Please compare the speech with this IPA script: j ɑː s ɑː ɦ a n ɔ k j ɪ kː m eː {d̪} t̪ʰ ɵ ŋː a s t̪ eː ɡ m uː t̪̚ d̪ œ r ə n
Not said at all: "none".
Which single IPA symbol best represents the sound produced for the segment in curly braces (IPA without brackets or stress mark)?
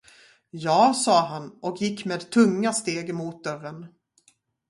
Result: d̪